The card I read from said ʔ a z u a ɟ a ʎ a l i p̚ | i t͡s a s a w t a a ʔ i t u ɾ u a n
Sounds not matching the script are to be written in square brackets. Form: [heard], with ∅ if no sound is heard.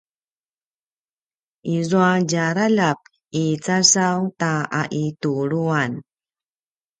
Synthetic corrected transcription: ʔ [i] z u a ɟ a [ɾ] a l [a] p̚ | i t͡s a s a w t a a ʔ i t u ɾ u a n